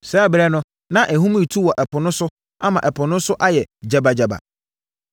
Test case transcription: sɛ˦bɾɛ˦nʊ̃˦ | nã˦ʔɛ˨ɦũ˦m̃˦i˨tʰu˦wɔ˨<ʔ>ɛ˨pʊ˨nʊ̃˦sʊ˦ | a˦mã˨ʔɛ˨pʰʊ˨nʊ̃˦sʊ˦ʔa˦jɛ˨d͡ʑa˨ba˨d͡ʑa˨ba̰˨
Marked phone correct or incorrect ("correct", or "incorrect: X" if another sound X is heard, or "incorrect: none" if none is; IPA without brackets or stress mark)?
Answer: correct